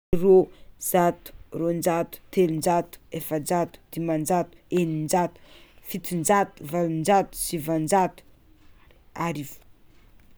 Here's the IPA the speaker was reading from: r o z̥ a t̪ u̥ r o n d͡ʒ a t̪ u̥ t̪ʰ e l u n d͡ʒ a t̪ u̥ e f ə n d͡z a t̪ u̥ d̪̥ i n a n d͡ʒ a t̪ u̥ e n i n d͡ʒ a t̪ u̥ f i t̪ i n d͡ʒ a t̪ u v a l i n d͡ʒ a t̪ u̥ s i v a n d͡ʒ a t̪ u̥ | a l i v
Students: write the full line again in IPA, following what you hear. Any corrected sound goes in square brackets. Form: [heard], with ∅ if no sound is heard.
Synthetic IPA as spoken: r o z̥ a t̪ u̥ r o n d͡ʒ a t̪ u̥ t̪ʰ e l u n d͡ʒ a t̪ u̥ e f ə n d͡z a t̪ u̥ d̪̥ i [m] a n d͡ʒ a t̪ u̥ e n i n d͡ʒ a t̪ u̥ f i t̪ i n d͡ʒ a t̪ u v a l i n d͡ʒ a t̪ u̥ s i v a n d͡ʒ a t̪ u̥ | a [ɾ] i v